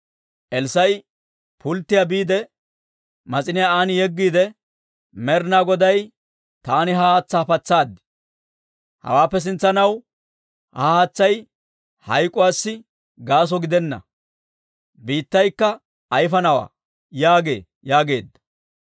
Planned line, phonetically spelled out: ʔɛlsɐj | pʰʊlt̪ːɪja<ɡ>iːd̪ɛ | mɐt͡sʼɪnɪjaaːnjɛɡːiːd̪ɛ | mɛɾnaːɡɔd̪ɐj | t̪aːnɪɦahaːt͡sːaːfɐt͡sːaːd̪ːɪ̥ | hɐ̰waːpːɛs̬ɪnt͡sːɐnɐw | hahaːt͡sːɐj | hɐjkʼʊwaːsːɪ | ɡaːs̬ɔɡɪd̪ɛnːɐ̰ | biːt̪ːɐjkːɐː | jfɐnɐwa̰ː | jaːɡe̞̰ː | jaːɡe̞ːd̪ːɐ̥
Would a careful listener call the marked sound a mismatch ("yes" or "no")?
yes